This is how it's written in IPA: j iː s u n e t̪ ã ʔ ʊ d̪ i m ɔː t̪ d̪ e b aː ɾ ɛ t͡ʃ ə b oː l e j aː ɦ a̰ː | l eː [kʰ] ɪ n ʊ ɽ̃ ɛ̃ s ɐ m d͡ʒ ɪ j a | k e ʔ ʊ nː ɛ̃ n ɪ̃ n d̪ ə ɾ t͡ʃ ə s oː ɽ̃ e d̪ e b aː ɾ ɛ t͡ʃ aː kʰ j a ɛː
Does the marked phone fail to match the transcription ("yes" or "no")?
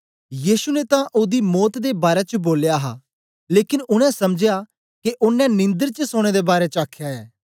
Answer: yes